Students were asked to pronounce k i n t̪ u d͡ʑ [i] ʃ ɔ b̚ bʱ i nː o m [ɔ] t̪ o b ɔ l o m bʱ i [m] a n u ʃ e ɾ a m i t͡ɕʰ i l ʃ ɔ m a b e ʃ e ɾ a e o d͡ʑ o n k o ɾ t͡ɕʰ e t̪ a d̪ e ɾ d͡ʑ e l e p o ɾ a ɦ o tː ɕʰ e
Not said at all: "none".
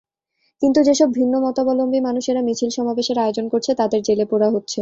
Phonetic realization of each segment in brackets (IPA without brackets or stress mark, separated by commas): e, ɔ, m